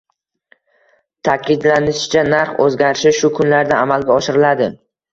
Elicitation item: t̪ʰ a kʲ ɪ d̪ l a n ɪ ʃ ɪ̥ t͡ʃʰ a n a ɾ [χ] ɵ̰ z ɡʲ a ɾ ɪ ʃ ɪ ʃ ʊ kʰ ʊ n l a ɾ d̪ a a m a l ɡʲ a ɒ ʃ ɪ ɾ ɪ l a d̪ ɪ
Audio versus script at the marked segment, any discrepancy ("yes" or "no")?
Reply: no